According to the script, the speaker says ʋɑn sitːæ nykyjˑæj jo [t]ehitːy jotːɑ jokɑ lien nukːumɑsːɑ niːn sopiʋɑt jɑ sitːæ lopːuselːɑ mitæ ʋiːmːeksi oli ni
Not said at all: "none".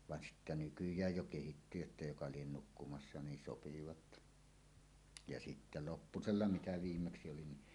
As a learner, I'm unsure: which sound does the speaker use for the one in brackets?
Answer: k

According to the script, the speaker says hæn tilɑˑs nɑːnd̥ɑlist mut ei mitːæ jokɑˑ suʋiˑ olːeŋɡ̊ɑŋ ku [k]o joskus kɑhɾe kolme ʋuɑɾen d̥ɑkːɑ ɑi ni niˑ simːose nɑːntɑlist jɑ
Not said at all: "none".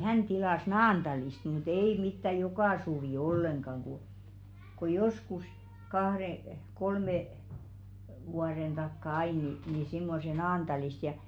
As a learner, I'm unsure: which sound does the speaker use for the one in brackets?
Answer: k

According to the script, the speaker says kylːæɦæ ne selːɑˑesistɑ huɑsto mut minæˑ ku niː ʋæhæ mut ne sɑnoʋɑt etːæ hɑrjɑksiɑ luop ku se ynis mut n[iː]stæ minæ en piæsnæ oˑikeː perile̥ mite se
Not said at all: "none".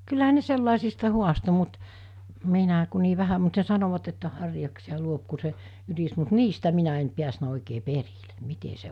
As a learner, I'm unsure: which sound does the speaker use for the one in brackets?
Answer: iː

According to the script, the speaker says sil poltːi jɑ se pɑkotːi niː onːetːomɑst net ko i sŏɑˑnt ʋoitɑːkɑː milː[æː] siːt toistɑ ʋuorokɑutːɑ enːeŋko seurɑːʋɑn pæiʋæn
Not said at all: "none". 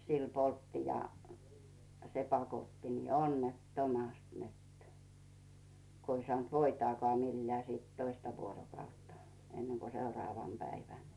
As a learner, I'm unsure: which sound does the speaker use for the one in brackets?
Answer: æː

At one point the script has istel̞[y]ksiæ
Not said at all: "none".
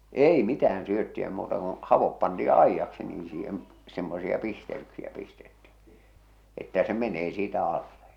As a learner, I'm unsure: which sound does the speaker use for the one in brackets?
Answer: y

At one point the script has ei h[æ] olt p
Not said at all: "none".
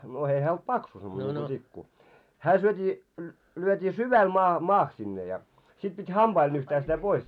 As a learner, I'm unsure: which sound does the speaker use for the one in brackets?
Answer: æː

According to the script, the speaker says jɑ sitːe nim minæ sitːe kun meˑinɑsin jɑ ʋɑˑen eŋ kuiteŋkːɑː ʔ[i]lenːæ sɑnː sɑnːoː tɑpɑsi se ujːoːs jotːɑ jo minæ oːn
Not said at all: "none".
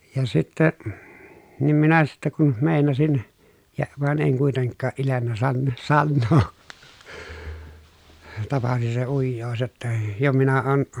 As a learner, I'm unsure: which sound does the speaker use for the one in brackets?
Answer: i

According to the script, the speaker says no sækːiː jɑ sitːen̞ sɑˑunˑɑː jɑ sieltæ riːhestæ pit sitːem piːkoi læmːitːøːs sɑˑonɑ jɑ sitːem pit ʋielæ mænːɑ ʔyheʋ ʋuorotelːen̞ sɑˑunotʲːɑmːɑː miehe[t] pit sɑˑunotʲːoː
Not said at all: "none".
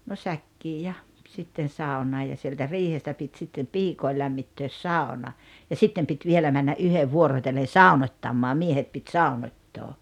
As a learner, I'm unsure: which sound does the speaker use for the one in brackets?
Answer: t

